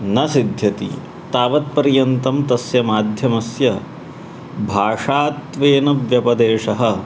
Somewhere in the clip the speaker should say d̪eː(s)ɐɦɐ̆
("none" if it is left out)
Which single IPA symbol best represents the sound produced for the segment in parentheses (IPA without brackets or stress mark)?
ʂ